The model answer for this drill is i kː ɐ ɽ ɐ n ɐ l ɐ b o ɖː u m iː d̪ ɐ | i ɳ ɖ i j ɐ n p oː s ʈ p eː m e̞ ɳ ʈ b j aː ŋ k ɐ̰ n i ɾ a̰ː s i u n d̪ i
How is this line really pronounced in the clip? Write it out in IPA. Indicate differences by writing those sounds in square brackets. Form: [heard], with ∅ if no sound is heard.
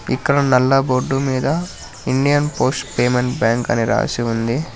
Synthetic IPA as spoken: i kː ɐ ɽ ɐ n ɐ [lː] ɐ b o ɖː u m iː d̪ ɐ | i ɳ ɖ i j ɐ n p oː s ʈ p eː m e̞ ɳ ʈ b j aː ŋ k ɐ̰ n i ɾ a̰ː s i u n d̪ i